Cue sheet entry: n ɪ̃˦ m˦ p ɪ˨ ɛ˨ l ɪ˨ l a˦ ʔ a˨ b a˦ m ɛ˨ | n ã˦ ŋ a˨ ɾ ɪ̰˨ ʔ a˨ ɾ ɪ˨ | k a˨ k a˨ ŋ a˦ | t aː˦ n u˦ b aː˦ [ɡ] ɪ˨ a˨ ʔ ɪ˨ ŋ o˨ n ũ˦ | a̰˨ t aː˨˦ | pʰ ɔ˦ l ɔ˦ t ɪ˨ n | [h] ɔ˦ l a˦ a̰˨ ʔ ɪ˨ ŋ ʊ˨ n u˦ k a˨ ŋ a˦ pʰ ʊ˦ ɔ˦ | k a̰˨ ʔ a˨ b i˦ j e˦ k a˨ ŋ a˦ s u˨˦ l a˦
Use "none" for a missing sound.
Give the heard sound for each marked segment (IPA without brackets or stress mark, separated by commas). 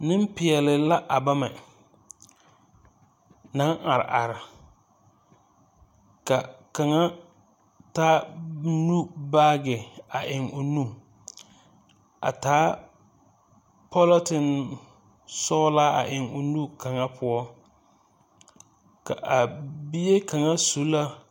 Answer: ɡ, s